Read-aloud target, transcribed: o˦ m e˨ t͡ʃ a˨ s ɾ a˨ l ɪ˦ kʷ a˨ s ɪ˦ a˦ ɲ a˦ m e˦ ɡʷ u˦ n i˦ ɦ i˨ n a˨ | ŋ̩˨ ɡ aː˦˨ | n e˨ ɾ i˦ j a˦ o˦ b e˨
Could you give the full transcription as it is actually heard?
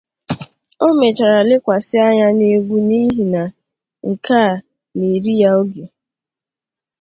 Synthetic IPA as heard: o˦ m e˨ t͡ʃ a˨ ɾ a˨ l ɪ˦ kʷ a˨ s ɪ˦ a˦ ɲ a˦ n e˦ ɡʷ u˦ n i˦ ɦ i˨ n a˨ | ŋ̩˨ k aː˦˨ | n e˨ ɾ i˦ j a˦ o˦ ɡ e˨